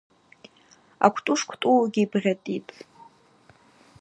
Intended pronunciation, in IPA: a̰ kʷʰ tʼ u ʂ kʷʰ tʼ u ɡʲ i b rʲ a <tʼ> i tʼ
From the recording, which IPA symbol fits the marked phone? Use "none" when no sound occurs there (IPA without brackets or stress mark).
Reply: tʼ